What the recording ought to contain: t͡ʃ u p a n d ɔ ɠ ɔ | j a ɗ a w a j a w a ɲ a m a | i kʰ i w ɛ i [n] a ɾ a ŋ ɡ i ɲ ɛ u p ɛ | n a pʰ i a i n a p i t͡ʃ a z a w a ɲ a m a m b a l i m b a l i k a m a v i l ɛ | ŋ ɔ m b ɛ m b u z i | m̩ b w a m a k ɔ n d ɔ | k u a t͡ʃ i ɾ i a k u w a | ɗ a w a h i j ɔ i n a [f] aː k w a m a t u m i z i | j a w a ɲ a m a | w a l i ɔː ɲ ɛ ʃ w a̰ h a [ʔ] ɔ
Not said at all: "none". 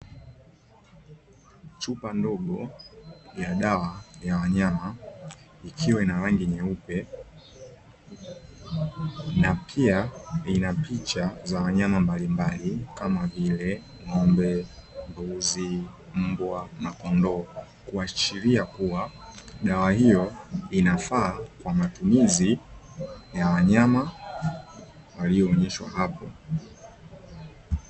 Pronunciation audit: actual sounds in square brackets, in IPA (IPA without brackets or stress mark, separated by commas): n, f, p